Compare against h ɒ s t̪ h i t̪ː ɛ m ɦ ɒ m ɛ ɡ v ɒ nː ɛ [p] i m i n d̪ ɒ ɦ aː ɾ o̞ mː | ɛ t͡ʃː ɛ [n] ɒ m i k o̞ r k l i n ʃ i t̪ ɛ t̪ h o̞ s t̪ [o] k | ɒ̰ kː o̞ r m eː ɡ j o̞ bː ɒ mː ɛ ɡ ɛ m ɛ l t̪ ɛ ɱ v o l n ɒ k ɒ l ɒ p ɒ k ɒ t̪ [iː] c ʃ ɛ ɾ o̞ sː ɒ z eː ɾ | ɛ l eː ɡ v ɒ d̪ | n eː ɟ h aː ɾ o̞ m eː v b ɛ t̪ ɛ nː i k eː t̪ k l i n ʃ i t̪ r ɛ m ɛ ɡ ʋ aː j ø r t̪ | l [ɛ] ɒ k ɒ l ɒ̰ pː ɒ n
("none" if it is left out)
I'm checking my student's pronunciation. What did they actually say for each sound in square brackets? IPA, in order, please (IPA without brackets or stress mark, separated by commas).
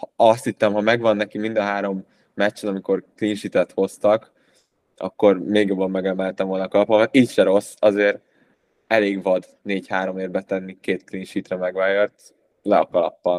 k, n, ɒ, iː, ɛ